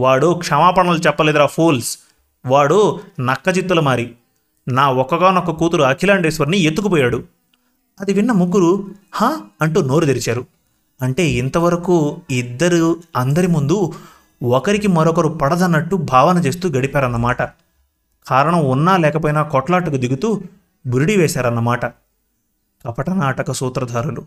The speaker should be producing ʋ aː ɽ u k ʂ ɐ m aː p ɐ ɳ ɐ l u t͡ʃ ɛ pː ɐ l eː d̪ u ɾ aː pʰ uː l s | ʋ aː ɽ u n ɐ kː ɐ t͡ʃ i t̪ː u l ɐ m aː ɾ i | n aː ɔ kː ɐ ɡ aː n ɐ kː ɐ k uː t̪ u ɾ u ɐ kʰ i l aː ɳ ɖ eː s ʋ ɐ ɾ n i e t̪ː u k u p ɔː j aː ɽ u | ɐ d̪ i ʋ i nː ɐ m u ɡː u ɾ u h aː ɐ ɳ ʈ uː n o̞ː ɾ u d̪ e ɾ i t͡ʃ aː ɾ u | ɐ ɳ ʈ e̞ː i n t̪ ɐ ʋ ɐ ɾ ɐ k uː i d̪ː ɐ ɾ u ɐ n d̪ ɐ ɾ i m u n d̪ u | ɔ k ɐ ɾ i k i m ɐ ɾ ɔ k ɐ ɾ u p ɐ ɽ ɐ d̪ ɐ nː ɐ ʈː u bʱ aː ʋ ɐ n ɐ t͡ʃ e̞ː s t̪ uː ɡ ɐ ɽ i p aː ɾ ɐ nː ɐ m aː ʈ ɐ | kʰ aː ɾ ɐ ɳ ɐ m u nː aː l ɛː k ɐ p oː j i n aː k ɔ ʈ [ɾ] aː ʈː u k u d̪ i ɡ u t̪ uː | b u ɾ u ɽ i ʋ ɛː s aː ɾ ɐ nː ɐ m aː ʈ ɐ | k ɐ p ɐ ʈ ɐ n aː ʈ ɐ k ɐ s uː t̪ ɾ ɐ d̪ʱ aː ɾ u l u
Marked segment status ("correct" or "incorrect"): incorrect